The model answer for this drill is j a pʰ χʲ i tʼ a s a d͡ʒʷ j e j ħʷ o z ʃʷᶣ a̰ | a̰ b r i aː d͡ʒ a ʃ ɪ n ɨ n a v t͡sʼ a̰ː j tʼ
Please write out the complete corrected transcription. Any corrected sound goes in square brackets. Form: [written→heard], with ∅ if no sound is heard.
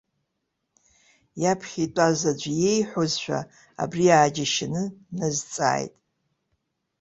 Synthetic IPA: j a pʰ χʲ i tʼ a [s→z] a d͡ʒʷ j e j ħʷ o z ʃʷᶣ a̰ | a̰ b r i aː d͡ʒ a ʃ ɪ n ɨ n a [v→z] t͡sʼ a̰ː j tʼ